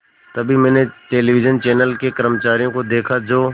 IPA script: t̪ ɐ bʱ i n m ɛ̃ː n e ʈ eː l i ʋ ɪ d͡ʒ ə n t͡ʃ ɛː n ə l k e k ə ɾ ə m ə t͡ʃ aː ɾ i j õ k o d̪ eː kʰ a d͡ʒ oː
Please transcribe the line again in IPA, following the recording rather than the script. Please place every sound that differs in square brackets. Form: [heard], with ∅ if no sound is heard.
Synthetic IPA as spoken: t̪ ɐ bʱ i [∅] m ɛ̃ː n e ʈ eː l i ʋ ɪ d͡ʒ ə n t͡ʃ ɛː n ə l k e k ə ɾ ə m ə t͡ʃ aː ɾ i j õ k o d̪ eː kʰ a d͡ʒ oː